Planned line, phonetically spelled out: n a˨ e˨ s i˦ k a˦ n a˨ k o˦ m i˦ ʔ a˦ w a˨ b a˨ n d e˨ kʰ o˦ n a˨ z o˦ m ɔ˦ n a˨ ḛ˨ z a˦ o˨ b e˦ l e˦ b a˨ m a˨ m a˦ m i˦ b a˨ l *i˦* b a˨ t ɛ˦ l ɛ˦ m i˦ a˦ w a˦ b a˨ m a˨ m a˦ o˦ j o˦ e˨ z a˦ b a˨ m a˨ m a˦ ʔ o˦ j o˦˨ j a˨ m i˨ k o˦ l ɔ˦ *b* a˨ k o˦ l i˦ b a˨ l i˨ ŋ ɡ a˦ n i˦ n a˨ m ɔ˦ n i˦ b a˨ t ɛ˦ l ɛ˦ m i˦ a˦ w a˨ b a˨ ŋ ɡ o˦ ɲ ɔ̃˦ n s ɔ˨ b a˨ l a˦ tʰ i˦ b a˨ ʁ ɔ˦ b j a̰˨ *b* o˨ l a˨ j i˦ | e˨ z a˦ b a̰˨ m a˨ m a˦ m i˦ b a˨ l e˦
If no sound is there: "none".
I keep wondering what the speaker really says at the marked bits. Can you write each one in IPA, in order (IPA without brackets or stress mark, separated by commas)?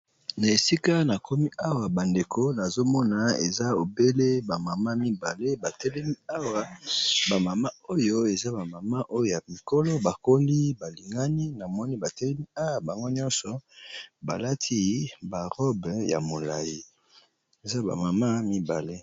e˦, b, m